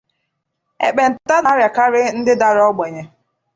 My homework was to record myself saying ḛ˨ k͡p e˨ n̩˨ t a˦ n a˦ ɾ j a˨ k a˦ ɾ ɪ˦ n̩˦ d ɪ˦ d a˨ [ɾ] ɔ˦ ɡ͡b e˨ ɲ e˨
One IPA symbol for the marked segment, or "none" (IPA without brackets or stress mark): ɾ